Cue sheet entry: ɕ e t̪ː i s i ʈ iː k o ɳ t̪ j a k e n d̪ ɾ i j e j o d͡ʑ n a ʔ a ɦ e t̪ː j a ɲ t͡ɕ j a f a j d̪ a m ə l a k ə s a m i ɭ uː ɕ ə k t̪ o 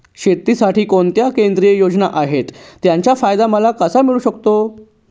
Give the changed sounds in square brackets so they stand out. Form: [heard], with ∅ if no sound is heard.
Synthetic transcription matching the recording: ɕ e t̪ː i s [a] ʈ iː k o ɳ t̪ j a k e n d̪ ɾ i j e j o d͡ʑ n a ʔ a ɦ e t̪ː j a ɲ t͡ɕ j a f a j d̪ a m ə l a k ə s a m i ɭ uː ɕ ə k t̪ o